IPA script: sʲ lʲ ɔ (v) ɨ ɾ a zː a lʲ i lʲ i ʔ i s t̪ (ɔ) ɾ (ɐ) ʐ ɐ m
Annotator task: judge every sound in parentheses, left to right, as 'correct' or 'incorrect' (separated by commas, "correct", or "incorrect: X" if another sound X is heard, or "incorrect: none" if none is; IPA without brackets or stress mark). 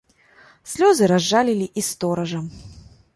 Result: incorrect: z, correct, correct